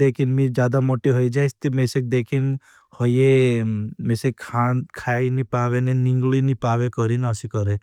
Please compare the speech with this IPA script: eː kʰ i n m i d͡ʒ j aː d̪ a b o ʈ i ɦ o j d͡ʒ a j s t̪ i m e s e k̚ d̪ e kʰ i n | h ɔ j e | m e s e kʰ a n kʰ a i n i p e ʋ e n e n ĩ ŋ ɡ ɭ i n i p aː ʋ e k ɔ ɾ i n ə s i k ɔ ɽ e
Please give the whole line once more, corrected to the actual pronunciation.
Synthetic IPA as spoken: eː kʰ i n m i d͡ʒ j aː d̪ a m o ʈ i ɦ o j d͡ʒ a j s t̪ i m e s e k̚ d̪ e kʰ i n | h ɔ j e | m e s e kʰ a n kʰ a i n i p a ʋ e n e n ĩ ŋ ɡ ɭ i n i p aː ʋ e k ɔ ɾ i n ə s i k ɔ ɾ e